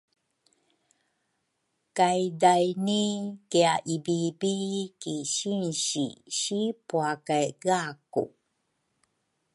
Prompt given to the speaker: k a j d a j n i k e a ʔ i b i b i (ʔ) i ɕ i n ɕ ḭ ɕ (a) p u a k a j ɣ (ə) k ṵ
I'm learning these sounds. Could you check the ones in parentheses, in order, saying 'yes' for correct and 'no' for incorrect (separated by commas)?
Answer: no, no, no